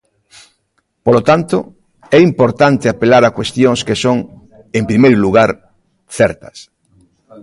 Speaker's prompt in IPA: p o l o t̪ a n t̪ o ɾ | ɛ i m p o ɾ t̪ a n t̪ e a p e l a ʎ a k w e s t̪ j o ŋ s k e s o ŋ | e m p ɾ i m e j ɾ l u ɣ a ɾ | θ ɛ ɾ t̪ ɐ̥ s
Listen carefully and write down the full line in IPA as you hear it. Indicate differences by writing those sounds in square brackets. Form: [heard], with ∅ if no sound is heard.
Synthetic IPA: p o l o t̪ a n t̪ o [∅] | ɛ i m p o ɾ t̪ a n t̪ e a p e l a [ɾ] a k w e s t̪ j o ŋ s k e s o ŋ | e m p ɾ i m e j ɾ l u ɣ a ɾ | θ ɛ ɾ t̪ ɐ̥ s